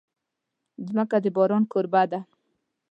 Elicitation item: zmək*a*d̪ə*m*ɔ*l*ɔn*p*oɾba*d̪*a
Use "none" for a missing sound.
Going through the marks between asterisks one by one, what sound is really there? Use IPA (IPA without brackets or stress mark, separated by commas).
a, b, ɾ, k, d̪